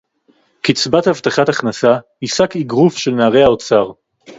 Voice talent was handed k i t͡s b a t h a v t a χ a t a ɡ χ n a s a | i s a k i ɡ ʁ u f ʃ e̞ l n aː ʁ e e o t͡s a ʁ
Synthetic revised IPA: k i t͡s b a t h a v t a χ a t a χ n a s a | i s a k i ɡ ʁ u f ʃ e̞ l n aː ʁ e a o t͡s a ʁ